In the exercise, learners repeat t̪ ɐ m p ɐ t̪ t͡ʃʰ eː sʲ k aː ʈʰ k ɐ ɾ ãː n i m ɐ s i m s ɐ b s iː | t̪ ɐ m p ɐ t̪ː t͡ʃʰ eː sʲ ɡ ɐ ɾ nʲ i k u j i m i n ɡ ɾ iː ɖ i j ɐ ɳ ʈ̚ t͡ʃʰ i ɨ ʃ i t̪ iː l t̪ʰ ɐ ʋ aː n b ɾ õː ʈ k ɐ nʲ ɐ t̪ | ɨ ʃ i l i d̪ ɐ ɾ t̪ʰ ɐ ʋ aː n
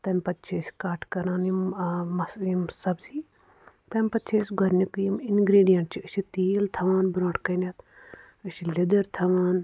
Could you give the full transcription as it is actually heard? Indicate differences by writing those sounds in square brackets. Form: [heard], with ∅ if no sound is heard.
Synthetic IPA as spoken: t̪ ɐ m p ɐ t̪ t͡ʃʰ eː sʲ k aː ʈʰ k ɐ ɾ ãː n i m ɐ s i m s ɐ b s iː | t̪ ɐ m p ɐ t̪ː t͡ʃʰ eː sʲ ɡ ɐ ɾ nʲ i k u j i m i n ɡ ɾ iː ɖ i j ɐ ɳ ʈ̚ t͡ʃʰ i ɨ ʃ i t̪ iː l t̪ʰ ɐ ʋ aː n b ɾ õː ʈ k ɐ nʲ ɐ t̪ | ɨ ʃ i l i d̪ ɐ ɾ t̪ʰ ɐ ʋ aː n